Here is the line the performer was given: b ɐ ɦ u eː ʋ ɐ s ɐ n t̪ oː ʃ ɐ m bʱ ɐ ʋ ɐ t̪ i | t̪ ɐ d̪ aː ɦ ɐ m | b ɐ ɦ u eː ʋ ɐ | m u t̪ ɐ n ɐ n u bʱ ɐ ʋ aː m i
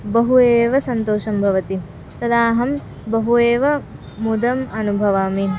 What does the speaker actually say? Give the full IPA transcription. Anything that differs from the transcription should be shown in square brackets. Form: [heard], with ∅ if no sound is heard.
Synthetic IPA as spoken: b ɐ ɦ u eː ʋ ɐ s ɐ n t̪ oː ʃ ɐ m bʱ ɐ ʋ ɐ t̪ i | t̪ ɐ d̪ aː ɦ ɐ m | b ɐ ɦ u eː ʋ ɐ | m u [d̪] ɐ [m] ɐ n u bʱ ɐ ʋ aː m i